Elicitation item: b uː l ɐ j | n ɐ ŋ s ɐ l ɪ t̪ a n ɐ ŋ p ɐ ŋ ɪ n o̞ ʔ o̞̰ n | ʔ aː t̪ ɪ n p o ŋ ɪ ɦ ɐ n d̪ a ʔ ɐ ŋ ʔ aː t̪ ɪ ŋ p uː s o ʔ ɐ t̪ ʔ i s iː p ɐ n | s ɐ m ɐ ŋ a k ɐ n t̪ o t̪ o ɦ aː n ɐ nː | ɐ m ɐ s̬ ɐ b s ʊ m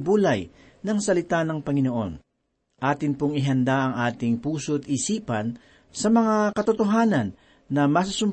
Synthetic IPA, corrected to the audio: b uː l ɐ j | n ɐ ŋ s ɐ l ɪ t̪ a n ɐ ŋ p ɐ ŋ ɪ n o̞ ʔ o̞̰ n | ʔ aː t̪ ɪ n p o ŋ ɪ ɦ ɐ n d̪ a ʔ ɐ ŋ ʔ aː t̪ ɪ ŋ p uː s o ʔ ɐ t̪ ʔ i s iː p ɐ n | s ɐ m ɐ ŋ a k ɐ t̪ o t̪ o ɦ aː n ɐ nː | ɐ m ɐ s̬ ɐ s ʊ m